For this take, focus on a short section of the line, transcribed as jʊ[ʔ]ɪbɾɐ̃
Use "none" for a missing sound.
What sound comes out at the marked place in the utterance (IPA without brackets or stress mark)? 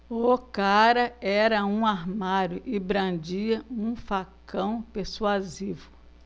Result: ʔ